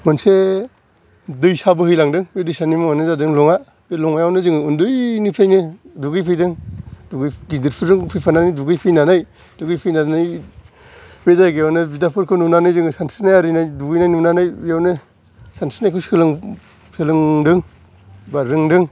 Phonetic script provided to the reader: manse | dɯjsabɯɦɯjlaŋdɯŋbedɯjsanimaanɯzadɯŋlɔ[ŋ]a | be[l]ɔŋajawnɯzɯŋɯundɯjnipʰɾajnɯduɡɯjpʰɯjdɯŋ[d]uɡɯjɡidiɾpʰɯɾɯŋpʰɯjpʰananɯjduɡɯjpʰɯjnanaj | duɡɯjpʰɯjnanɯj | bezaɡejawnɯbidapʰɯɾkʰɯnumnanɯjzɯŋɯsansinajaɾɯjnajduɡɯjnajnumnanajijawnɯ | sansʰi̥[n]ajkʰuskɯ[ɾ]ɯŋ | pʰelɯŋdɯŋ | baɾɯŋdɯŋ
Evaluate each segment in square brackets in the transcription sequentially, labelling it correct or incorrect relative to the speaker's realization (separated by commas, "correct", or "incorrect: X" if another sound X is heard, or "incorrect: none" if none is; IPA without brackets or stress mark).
correct, correct, correct, correct, incorrect: l